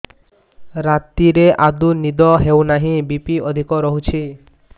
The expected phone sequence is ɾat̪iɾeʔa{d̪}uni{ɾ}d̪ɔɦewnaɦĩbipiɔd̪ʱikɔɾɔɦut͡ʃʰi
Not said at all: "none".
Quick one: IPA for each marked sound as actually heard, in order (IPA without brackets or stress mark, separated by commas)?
d̪, none